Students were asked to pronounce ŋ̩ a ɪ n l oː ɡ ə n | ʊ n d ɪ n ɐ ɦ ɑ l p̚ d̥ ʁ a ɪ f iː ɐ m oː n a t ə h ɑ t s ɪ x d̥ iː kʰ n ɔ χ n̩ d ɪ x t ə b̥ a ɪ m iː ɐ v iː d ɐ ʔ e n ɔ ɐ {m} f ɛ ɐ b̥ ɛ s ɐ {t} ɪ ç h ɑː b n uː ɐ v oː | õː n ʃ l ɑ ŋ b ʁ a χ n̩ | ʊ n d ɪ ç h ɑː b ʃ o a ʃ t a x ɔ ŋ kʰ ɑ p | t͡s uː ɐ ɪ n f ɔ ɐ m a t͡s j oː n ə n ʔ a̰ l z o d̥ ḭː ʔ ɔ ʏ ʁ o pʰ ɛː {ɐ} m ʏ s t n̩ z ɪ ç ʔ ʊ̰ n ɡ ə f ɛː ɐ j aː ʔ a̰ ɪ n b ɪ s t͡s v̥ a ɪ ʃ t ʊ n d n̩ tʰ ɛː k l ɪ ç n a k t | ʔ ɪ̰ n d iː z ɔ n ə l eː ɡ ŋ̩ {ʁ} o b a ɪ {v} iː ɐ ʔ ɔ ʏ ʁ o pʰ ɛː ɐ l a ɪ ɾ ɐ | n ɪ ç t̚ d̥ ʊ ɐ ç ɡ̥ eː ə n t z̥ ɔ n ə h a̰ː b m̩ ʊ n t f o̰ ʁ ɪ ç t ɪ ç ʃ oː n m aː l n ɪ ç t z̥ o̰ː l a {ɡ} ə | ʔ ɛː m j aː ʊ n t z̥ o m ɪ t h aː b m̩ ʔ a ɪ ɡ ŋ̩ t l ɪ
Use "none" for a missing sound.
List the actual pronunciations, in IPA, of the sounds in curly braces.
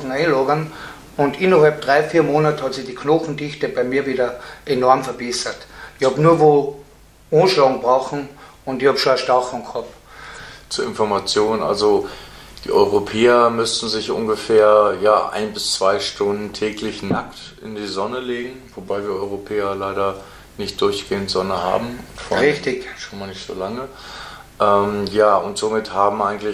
m, t, ɐ, v, v, ŋ

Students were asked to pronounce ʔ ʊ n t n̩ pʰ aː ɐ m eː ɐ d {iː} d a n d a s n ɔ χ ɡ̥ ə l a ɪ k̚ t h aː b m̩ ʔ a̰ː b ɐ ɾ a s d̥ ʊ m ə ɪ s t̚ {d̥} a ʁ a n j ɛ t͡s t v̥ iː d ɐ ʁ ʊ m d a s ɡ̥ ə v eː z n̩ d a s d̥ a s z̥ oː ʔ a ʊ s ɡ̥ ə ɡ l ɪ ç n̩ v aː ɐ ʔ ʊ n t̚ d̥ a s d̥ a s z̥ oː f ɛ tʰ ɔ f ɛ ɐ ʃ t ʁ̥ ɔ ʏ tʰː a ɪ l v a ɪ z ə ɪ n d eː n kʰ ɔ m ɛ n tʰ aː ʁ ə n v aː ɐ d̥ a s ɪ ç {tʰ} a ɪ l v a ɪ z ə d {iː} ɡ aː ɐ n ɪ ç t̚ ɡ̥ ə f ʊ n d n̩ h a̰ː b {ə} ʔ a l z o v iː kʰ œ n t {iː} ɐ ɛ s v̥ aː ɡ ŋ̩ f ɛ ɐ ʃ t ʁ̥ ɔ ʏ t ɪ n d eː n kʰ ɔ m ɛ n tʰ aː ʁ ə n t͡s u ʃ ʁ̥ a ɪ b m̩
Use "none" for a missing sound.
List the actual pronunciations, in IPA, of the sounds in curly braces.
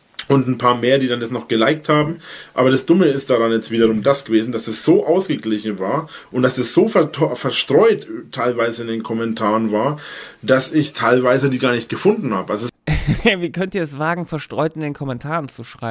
iː, d̥, tʰ, iː, ə, iː

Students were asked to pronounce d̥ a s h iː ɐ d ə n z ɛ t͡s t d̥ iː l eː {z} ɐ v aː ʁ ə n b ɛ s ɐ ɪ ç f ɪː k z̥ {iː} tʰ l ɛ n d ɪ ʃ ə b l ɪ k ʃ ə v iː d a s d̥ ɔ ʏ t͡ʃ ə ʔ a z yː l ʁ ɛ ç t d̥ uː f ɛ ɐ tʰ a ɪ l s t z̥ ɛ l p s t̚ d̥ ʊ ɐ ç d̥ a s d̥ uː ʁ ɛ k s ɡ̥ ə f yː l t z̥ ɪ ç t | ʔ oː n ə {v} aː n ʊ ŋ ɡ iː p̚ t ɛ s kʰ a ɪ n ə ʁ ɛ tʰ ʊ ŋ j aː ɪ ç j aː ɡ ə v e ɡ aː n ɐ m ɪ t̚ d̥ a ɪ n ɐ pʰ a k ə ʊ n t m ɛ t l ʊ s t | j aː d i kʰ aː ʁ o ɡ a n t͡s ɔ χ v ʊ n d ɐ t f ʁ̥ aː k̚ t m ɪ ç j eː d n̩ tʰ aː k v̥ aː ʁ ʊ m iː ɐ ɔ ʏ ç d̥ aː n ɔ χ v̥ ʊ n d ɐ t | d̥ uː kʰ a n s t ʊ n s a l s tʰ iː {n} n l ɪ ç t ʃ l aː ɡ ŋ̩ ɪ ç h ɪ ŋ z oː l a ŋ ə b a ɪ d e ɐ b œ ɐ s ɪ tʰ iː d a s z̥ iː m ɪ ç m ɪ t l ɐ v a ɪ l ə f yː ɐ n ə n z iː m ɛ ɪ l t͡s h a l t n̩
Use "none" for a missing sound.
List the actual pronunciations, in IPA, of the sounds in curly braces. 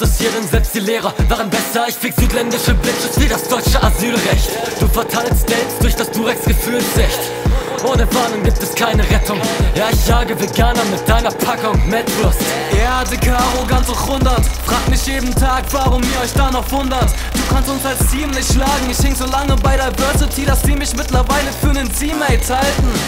ʁ, yː, v, m

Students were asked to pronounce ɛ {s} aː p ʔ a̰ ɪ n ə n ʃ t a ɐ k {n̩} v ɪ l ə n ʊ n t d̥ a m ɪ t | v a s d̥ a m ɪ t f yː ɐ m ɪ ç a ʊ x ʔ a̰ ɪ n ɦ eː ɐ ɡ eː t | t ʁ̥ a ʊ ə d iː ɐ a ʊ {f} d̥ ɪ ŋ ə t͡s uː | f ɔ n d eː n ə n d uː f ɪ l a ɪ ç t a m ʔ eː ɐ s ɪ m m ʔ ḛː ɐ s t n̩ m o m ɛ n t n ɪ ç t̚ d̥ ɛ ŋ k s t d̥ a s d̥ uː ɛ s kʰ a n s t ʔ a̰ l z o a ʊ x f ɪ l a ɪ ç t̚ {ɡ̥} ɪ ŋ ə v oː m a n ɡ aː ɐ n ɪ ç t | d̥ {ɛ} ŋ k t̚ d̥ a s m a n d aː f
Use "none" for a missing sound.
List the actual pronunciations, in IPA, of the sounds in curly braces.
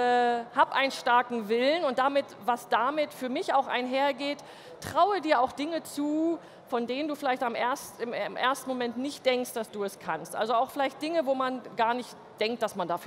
h, ŋ̩, x, d̥, ɛ

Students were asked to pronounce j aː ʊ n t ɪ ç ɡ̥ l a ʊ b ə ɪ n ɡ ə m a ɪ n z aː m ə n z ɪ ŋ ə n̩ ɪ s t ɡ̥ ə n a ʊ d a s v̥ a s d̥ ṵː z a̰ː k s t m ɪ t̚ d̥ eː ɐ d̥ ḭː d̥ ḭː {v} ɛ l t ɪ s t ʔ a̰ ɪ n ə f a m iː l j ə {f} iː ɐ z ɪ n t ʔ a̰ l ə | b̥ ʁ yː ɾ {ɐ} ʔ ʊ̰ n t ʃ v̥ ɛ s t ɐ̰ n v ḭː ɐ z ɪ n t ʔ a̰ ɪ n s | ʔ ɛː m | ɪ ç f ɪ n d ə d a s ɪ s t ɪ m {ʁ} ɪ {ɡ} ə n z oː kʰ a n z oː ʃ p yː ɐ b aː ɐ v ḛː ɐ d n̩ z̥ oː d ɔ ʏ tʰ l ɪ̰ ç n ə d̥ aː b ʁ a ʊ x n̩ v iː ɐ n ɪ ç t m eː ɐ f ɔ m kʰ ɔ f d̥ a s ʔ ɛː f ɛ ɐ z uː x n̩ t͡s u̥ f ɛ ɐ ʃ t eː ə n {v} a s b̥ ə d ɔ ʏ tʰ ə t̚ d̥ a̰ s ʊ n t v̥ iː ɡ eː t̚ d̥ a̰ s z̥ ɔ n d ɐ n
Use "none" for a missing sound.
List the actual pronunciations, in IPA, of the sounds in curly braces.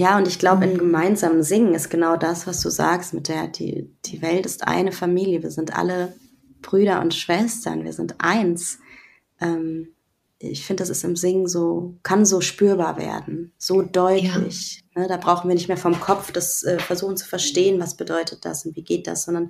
v, v, ɐ, z, ŋ, v

